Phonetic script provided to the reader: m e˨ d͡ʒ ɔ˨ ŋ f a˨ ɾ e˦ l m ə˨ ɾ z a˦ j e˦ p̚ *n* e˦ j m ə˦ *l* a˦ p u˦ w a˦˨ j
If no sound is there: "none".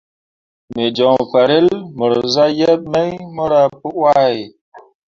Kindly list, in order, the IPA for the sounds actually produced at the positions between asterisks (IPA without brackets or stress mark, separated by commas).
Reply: m, ɾ